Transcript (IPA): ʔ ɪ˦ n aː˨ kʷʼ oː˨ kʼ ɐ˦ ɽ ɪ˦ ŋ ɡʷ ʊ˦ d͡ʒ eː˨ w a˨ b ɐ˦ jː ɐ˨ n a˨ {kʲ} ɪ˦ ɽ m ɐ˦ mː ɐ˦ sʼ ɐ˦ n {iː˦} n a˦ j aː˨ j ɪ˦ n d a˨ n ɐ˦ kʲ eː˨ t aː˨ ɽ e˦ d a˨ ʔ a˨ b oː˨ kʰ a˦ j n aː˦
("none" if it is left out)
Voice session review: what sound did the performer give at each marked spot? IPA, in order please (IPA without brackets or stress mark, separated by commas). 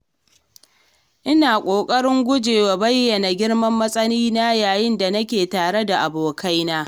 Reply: ɡʲ, iː˦